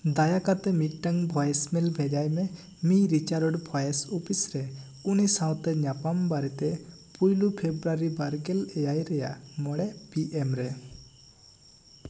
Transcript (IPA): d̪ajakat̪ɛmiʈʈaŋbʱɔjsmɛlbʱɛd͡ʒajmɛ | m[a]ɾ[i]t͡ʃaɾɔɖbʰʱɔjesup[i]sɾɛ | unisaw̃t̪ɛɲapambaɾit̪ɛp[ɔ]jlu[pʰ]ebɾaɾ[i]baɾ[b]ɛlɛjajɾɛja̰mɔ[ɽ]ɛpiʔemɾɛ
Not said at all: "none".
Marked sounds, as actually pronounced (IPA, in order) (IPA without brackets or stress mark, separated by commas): i, i, i, u, pʰ, i, ɡ, ɽ